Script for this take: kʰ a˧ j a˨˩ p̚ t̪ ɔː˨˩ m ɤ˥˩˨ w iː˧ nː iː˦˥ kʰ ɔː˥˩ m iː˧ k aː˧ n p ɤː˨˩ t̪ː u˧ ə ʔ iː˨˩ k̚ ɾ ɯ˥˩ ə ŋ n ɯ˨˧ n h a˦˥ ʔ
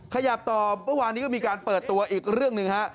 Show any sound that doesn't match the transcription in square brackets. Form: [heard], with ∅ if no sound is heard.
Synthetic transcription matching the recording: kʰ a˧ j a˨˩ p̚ t̪ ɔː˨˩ m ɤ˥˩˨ w [aː˧] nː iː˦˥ [k] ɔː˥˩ m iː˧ k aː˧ n p ɤː˨˩ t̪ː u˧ [ɐ] ʔ iː˨˩ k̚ ɾ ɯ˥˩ ə ŋ n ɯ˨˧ [ŋ] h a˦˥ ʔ

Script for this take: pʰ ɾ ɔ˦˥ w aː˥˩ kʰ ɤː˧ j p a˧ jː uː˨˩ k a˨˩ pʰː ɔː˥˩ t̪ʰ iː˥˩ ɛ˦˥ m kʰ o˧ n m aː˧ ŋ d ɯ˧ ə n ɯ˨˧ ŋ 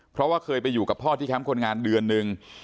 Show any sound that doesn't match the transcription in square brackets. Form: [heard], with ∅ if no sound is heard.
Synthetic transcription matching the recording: pʰ ɾ ɔ˦˥ w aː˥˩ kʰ ɤː˧ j p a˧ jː uː˨˩ k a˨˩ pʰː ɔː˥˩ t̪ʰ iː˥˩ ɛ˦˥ m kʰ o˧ n [ŋ] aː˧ [n] d ɯ˧ ə [nː] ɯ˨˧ ŋ

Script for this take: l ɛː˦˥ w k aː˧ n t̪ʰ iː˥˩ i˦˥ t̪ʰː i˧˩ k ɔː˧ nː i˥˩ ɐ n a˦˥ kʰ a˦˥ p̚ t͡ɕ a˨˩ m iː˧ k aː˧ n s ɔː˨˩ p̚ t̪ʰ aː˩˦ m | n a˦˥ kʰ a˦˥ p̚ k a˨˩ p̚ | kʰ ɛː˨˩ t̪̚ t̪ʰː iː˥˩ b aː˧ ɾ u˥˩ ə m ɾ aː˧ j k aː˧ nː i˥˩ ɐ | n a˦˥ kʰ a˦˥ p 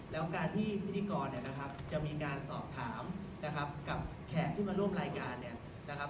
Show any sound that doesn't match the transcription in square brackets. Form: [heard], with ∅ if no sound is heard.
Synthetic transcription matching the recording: l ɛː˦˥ w k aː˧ n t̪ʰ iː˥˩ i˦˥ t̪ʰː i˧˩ k ɔː˧ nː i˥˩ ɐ n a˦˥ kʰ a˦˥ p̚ t͡ɕ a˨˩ m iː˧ k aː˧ n s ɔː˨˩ p̚ t̪ʰ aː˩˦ m | n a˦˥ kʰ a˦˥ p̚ k a˨˩ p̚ | kʰ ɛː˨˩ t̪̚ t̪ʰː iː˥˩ [m] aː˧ ɾ u˥˩ ə m ɾ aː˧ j k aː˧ nː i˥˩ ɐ | n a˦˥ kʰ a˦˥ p

